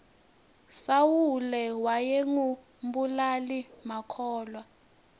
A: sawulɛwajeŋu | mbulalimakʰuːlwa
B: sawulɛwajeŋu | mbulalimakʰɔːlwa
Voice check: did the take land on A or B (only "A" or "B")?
B